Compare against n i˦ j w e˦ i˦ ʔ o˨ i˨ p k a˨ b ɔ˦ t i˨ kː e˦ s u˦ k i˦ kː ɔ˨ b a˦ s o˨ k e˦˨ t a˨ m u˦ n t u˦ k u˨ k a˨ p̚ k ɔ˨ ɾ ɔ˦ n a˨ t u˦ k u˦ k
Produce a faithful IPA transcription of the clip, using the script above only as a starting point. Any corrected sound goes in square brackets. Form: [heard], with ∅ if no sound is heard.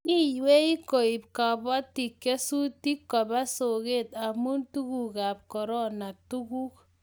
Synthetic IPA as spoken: n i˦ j w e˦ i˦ [k] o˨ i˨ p k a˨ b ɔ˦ t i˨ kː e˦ s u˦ [t] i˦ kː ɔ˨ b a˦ s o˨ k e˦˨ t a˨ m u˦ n t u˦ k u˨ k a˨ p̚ k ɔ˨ ɾ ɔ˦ n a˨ t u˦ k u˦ k